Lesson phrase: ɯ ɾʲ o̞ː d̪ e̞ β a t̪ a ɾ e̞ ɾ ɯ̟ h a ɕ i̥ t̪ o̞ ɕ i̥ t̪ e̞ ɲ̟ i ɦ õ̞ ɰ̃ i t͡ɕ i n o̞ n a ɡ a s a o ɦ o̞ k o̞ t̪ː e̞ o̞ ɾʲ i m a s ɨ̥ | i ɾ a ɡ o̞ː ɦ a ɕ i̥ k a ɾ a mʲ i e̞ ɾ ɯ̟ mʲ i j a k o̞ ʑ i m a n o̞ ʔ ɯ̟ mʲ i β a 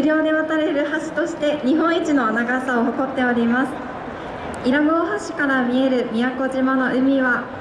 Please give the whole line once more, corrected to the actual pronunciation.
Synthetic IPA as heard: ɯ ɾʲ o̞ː d̪ e̞ β a t̪ a ɾ e̞ ɾ ɯ̟ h a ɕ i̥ t̪ o̞ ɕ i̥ t̪ e̞ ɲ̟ i ɦ õ̞ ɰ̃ i t͡ɕ i n o̞ n a ɡ a s a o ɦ o̞ k o̞ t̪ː e̞ o̞ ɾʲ i m a s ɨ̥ | i ɾ a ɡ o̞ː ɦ a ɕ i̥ k a ɾ a mʲ i e̞ ɾ ɯ̟ mʲ i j a k o̞ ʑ i m a n o̞ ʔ ɯ̟ mʲ i β a

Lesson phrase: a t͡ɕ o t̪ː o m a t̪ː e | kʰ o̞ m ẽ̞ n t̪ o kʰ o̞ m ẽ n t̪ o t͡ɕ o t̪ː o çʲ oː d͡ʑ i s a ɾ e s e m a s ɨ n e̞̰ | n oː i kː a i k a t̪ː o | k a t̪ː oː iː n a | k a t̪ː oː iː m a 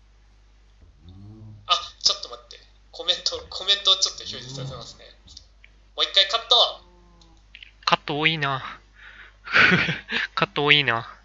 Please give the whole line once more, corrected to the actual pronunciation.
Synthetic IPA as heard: a t͡ɕ o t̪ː o m a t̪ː e | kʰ o̞ m ẽ̞ n t̪ o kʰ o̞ m ẽ n t̪ o t͡ɕ o t̪ː o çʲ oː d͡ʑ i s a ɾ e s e m a s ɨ n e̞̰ | m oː i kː a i k a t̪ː o | k a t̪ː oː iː n a | k a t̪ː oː iː n a

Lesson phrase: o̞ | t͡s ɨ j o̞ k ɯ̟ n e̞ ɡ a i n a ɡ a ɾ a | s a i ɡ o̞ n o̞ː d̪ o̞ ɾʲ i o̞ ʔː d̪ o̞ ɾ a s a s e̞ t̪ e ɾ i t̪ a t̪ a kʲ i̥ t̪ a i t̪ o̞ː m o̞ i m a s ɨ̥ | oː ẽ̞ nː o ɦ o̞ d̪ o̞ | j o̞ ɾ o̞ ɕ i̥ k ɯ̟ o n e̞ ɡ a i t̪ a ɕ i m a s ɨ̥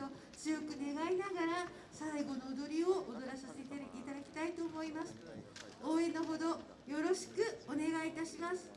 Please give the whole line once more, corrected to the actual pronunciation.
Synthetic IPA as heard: o̞ | t͡s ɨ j o̞ k ɯ̟ n e̞ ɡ a i n a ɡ a ɾ a | s a i ɡ o̞ n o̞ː d̪ o̞ ɾʲ i o̞ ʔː d̪ o̞ ɾ a s a s e̞ t̪ e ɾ i t̪ a d̪ a kʲ i̥ t̪ a i t̪ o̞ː m o̞ i m a s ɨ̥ | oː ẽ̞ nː o ɦ o̞ d̪ o̞ | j o̞ ɾ o̞ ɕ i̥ k ɯ̟ o n e̞ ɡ a i t̪ a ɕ i m a s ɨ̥

